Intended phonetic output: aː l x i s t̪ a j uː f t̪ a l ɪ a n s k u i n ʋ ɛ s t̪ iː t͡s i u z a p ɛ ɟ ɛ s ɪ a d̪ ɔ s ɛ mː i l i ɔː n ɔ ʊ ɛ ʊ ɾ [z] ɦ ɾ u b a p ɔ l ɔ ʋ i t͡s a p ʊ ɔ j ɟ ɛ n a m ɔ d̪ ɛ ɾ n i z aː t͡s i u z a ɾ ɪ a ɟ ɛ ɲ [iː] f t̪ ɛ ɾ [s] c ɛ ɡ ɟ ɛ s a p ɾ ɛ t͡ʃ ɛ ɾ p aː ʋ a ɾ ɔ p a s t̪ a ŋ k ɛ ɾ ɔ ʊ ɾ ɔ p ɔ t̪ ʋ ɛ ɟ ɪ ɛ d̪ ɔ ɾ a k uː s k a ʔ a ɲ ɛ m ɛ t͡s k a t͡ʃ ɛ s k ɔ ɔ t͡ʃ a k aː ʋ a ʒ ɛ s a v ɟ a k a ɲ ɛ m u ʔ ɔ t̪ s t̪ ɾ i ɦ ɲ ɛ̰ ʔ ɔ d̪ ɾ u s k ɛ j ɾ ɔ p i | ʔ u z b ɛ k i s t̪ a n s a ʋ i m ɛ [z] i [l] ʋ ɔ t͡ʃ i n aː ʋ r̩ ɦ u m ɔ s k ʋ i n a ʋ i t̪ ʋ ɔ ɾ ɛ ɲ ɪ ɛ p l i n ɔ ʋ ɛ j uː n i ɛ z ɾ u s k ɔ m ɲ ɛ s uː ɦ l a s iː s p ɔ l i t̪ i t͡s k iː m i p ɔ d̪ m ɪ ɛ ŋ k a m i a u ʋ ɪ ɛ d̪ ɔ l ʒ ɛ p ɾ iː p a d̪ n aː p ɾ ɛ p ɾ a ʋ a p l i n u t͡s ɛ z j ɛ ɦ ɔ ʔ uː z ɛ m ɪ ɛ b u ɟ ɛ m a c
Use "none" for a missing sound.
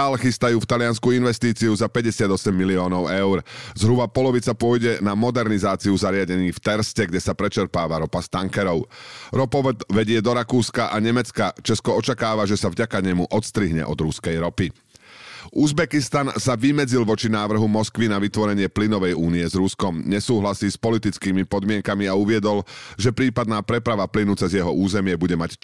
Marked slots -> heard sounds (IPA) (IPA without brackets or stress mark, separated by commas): z, iː, s, d͡z, l